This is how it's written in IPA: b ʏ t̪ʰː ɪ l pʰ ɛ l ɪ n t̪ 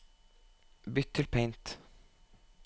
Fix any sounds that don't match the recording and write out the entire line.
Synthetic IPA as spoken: b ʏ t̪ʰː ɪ l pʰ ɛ ɪ n t̪